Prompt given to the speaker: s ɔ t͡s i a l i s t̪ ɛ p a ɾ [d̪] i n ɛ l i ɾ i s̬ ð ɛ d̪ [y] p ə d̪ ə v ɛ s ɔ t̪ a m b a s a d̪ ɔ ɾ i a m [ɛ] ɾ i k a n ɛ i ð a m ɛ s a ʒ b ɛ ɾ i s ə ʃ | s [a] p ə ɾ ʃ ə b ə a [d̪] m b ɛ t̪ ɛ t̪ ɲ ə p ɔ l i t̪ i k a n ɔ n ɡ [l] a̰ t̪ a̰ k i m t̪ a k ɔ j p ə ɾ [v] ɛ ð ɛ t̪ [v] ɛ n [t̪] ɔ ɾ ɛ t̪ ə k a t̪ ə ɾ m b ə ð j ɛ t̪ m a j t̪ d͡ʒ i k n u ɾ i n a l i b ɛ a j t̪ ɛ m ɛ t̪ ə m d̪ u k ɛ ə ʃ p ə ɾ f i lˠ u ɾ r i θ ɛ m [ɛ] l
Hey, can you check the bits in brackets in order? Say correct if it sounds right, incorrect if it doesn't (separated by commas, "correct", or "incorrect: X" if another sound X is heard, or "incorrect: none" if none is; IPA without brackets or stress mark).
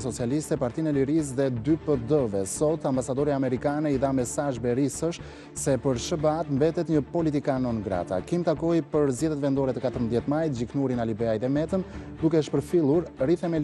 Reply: incorrect: t̪, correct, correct, incorrect: ɛ, incorrect: t̪, incorrect: ɾ, incorrect: z, correct, incorrect: d̪, correct